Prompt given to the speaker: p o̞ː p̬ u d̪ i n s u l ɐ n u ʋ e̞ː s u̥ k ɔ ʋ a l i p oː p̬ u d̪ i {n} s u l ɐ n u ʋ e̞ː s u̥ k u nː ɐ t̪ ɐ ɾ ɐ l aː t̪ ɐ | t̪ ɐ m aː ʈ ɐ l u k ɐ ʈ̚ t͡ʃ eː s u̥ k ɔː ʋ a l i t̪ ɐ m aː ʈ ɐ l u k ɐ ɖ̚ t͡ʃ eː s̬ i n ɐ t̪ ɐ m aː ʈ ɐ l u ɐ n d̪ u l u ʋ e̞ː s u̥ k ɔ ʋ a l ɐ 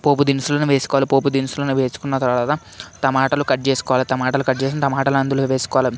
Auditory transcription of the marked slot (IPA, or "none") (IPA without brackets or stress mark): n